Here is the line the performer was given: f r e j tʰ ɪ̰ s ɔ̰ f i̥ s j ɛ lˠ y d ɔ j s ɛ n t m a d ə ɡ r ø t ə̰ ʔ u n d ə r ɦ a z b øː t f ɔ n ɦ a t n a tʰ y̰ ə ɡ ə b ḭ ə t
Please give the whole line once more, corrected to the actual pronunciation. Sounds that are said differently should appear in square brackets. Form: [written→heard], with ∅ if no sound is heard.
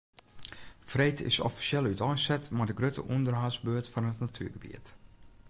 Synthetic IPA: f r e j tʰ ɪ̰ s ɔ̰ f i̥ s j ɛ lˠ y [d→t] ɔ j s ɛ [n→∅] t m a d ə ɡ r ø t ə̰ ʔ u n d ə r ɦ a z b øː t f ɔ n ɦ [a→ə] t n a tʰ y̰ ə ɡ ə b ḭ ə t